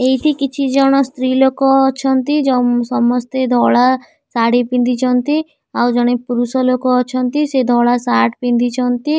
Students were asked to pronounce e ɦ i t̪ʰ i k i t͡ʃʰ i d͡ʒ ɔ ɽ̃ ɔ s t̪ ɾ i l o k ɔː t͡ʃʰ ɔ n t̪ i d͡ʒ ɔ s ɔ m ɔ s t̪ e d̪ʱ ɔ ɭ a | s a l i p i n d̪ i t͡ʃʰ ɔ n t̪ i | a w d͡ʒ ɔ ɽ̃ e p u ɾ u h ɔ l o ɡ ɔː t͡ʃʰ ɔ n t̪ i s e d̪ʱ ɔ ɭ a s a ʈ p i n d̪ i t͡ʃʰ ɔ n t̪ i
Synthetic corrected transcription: e ɦ i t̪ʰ i k i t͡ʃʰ i d͡ʒ ɔ ɽ̃ ɔ s t̪ ɾ i l o k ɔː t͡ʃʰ ɔ n t̪ i d͡ʒ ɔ s ɔ m ɔ s t̪ e d̪ʱ ɔ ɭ a | s a ɽ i p i n d̪ i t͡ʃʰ ɔ n t̪ i | a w d͡ʒ ɔ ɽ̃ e p u ɾ u s ɔ l o k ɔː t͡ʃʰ ɔ n t̪ i s e d̪ʱ ɔ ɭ a s a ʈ p i n d̪ i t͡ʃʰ ɔ n t̪ i